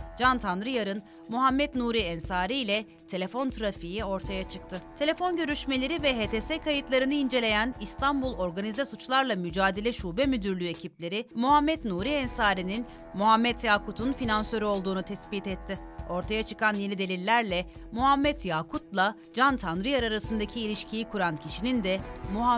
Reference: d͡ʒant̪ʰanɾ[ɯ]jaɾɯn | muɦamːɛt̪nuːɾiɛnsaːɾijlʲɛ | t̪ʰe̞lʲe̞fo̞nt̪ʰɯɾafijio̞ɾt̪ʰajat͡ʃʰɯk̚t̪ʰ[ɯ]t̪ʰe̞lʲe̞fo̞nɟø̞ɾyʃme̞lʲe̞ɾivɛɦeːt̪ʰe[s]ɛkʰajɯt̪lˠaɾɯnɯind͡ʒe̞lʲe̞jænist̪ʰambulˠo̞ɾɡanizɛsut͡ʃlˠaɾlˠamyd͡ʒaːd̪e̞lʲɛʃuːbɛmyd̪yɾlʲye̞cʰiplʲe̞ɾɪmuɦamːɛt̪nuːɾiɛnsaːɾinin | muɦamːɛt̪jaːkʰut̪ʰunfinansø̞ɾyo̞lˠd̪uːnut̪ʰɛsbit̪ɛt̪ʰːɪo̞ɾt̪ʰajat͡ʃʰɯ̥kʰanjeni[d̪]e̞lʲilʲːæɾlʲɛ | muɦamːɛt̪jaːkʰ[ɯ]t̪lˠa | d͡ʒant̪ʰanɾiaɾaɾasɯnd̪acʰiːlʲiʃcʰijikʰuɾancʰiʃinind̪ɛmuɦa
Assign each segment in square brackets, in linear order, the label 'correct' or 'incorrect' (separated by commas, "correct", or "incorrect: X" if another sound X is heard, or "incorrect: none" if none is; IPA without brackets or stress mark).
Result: correct, correct, correct, correct, incorrect: u